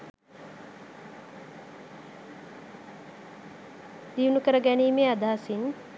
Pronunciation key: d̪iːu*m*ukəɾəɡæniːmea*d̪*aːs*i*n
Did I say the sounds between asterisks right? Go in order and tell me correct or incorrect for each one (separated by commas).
incorrect, correct, correct